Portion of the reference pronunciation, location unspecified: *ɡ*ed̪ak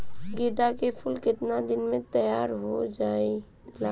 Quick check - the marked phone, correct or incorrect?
correct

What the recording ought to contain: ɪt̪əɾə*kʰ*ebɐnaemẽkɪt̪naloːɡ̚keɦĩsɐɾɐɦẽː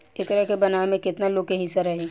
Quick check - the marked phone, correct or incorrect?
incorrect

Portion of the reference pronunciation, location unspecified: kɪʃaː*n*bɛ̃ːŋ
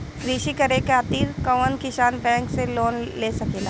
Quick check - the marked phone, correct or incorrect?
correct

